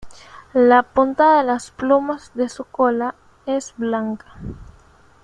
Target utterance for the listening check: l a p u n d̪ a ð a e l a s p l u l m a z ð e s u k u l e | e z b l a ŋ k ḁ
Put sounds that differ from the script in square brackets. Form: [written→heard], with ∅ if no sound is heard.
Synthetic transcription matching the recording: l a p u n [d̪→t̪] a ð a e l a s p l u [l→∅] m a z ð e s u k [u→o] l [e→a] | e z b l a ŋ k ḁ